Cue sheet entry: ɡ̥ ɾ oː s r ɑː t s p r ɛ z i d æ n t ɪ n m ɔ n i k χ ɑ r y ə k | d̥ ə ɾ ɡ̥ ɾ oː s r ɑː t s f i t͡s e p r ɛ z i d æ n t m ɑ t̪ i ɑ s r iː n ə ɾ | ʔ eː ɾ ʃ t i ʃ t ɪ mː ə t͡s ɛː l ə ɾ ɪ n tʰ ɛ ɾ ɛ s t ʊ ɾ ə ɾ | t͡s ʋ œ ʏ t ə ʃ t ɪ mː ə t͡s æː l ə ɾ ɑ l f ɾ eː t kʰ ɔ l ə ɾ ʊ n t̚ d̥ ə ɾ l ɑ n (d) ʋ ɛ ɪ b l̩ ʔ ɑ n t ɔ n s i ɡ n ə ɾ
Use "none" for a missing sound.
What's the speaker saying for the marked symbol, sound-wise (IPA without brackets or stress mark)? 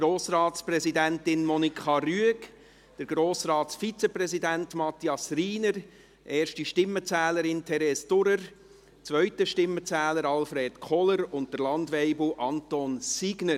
d